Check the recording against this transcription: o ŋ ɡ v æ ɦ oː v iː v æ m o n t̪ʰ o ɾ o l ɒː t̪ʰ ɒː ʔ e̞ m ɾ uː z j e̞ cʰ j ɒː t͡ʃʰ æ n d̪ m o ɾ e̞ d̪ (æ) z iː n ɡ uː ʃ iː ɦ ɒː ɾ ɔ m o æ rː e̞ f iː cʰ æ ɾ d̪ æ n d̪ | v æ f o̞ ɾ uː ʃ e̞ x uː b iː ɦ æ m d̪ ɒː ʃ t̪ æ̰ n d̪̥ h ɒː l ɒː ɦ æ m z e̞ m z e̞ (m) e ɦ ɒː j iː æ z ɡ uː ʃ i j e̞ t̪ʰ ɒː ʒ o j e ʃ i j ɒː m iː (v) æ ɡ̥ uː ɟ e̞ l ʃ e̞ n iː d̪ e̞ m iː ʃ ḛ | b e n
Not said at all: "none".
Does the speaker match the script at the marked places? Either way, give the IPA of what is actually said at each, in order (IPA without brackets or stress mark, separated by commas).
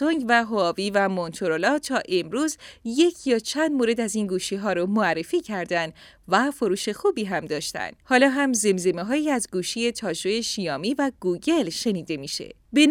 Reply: æ, m, v